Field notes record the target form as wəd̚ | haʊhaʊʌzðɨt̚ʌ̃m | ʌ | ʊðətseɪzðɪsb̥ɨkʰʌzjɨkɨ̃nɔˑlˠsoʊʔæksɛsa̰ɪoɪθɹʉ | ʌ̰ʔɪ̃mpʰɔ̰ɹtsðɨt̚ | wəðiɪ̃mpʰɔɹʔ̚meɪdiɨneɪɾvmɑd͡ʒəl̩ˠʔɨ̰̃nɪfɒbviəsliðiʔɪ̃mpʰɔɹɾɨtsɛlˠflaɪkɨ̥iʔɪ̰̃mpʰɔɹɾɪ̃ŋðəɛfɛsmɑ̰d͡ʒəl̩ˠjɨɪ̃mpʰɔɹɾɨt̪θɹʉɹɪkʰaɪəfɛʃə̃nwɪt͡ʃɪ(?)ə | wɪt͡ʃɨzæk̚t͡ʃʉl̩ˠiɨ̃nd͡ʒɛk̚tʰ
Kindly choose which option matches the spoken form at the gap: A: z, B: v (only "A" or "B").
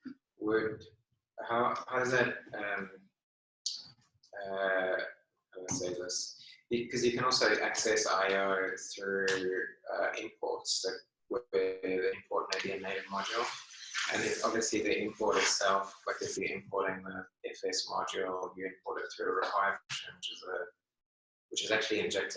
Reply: A